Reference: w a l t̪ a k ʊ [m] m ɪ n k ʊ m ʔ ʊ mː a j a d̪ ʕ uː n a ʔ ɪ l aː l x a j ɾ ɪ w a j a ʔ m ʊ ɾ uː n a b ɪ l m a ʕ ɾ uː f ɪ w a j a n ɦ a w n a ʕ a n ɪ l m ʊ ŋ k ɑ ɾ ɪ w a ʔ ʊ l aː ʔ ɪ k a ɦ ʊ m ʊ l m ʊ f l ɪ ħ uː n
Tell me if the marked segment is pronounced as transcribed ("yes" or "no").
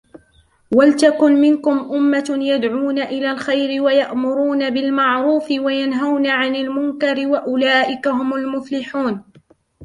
no